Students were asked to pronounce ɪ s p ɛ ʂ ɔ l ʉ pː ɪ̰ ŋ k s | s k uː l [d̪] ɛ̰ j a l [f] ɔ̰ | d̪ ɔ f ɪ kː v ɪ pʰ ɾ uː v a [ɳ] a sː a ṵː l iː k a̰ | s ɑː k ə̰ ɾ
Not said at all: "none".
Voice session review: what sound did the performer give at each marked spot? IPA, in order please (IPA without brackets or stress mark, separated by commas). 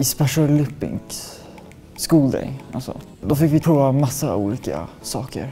d̪, s, m